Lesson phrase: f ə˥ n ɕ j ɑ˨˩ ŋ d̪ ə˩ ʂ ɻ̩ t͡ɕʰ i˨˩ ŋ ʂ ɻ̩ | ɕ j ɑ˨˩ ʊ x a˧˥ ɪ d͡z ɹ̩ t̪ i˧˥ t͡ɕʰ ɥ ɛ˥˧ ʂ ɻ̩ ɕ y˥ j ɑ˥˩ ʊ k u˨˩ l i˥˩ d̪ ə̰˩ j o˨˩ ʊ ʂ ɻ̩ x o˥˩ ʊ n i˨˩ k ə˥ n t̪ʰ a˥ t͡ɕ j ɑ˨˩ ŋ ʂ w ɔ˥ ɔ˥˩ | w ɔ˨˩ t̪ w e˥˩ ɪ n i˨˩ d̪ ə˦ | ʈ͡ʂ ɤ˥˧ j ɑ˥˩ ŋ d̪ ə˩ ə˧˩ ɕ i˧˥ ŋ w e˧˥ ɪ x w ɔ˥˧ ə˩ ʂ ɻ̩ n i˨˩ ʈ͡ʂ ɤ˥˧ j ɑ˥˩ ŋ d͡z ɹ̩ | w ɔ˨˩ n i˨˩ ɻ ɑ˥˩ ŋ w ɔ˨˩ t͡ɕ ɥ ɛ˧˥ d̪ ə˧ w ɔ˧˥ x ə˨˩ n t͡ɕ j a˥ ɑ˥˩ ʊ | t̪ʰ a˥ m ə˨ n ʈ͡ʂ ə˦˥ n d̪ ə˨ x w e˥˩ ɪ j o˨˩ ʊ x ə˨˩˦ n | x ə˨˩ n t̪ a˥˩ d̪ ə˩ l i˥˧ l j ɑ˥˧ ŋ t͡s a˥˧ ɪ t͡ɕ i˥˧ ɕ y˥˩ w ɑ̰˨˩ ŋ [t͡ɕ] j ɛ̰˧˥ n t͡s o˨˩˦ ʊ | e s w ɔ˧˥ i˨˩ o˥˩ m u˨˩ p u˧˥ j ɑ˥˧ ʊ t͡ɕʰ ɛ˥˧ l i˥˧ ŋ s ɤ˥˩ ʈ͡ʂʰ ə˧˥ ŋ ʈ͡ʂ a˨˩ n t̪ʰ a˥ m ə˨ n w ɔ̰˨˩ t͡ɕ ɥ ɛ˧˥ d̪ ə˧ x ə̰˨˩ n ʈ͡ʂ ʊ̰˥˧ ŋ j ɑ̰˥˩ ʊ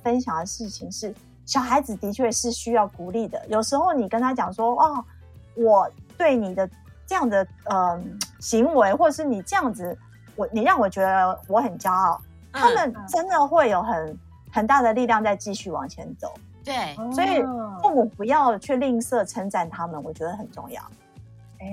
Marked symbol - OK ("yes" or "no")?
no